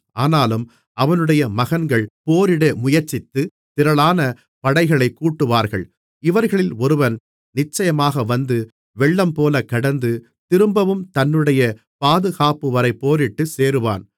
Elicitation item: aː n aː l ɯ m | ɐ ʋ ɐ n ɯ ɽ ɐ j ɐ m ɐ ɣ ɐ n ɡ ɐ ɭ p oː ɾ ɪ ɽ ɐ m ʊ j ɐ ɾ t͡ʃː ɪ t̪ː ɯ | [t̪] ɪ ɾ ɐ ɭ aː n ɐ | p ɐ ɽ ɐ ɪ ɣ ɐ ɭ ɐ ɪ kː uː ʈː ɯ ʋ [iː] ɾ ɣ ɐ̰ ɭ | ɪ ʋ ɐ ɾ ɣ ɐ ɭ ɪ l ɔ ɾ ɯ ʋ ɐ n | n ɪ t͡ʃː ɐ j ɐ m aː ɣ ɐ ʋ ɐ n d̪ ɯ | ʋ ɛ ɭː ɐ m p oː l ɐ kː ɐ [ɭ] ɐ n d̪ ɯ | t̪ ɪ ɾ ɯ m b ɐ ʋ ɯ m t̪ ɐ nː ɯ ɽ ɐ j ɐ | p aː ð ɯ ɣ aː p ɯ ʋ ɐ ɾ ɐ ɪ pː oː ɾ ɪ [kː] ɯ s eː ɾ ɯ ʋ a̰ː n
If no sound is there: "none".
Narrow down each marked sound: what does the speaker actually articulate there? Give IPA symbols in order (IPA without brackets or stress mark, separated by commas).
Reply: t̪, aː, ɽ, ʈː